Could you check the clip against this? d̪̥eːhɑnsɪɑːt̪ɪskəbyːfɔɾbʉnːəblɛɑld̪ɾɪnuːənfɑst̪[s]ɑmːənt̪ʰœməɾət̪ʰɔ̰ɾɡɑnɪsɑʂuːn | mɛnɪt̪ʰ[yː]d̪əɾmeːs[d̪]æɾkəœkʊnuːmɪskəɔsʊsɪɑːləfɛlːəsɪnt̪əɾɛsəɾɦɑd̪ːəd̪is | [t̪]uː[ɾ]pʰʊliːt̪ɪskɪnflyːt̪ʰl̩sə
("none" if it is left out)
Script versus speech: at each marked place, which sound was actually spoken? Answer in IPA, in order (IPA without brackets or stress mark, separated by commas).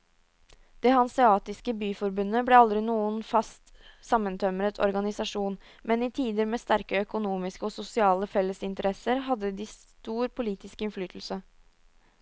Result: s, iː, t̪, t̪, ɾ